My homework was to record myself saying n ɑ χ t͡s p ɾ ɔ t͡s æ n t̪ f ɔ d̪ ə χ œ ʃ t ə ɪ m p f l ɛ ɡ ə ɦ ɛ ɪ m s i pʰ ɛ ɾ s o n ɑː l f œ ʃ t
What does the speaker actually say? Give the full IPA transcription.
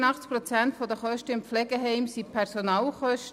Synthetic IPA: n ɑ χ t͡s p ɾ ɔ t͡s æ n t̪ f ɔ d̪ ə χ œ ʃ t ə ɪ m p f l ɛ ɡ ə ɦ ɛ ɪ m s i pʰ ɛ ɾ s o n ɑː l χ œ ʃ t

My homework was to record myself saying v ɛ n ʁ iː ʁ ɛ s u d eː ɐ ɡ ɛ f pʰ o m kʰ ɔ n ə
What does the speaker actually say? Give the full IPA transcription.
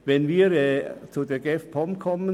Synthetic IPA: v ɛ n v iː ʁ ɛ t͡s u d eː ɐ ɡ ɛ f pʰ ɔ m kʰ ɔ m ə

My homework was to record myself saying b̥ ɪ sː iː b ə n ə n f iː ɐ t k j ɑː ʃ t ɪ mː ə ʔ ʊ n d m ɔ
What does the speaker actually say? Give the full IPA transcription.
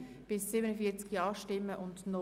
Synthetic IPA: b̥ ɪ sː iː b ə n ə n f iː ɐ t͡s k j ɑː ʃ t ɪ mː ə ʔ ʊ n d n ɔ

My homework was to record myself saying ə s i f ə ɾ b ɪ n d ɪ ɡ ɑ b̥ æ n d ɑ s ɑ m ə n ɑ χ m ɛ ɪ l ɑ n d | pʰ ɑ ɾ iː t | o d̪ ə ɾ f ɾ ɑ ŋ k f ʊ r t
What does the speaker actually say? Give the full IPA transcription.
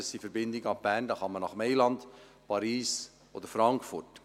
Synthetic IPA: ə s i f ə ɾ b ɪ n d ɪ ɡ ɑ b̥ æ n d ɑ χ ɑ m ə n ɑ χ m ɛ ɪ l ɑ n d | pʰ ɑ ɾ iː s | o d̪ ə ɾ f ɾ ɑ ŋ k f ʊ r t

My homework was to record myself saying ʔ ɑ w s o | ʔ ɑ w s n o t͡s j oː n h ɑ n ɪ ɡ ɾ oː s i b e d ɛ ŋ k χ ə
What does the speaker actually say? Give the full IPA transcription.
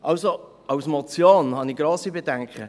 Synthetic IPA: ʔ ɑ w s o | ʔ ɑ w s m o t͡s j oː n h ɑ n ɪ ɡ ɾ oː s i b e d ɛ ŋ k χ ə

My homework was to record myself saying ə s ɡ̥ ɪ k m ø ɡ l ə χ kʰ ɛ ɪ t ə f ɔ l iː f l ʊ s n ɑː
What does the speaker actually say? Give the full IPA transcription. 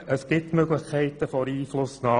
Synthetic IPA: ə s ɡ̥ ɪ t m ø ɡ l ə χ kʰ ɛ ɪ t ə f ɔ ɾ iː f l ʊ s n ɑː

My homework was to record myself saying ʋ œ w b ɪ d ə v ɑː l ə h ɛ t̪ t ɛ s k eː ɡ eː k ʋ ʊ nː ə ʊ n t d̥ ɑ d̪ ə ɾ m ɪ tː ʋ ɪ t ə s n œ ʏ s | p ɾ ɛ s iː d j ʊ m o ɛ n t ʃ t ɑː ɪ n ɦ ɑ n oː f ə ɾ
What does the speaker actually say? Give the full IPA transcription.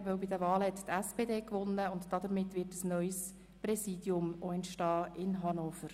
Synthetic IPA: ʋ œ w b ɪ d ə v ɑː l ə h ɛ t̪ t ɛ s p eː d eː k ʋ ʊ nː ə ʊ n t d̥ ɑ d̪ ə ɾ m ɪ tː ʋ ɪ t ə s n œ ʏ s | p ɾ ɛ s iː d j ʊ m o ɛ n t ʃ t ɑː ɪ n ɦ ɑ n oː f ə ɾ

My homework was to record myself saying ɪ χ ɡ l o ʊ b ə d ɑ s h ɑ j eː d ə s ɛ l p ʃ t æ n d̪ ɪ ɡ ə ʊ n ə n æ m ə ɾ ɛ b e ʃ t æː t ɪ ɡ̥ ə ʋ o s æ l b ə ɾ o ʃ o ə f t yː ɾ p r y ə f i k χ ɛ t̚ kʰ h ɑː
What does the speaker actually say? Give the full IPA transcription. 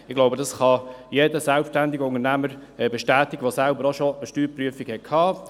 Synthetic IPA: ɪ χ ɡ l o ʊ b ə d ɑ s χ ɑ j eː d ə s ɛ l p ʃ t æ n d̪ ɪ ɡ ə ʊ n ə n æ m ə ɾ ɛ b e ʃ t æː t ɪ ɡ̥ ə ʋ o s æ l b ə ɾ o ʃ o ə ʃ t yː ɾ p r y ə f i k h ɛ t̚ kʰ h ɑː

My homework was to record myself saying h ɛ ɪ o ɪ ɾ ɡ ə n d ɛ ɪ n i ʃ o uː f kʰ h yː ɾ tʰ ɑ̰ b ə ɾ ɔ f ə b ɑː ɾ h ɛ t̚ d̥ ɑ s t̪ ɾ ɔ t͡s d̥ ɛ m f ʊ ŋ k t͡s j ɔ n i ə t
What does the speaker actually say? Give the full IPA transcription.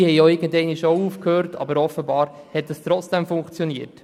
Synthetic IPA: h ɛ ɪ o ɪ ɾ ɡ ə n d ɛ ɪ n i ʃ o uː f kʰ h øː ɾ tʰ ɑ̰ b ə ɾ ɔ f ə b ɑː ɾ h ɛ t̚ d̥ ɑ s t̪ ɾ ɔ t͡s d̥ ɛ m f ʊ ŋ k t͡s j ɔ n i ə t

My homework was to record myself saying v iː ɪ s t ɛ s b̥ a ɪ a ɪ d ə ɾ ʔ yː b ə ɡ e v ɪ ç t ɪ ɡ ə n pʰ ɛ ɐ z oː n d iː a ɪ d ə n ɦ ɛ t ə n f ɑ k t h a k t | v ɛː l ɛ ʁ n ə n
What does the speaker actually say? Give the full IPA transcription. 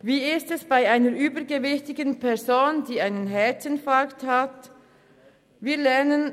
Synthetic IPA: v iː ɪ s t ɛ s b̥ a ɪ a ɪ n ə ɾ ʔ yː b ə ɡ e v ɪ ç t ɪ ɡ ə n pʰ ɛ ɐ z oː n d iː a ɪ n ə n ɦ ɛ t ə n f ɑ k t h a t | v iː l ɛ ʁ n ə n

